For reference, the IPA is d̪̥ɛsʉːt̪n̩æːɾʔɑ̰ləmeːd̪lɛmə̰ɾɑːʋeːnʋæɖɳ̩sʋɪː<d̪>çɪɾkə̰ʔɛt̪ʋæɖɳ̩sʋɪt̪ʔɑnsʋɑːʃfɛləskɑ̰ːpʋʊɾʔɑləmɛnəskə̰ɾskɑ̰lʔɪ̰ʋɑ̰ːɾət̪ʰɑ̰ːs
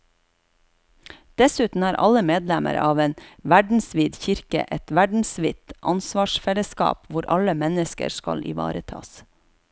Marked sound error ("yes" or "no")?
no